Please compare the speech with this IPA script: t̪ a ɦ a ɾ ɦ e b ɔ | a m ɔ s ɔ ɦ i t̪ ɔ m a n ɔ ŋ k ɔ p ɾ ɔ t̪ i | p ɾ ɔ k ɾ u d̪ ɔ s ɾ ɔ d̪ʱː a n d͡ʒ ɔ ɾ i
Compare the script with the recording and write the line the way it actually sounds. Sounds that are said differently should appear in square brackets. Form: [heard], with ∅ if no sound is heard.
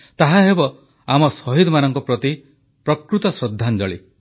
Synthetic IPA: t̪ a ɦ a [∅] ɦ e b ɔ | a m ɔ s ɔ ɦ i [d̪] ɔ m a n ɔ ŋ k ɔ p ɾ ɔ t̪ i | p ɾ ɔ k ɾ u [t̪] ɔ s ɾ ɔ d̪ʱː a n d͡ʒ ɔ [ɭ] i